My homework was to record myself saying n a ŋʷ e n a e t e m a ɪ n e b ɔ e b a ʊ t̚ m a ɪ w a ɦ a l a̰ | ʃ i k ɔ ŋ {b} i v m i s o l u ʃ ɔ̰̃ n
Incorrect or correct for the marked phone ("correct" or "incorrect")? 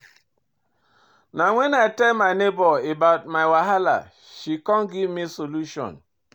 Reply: incorrect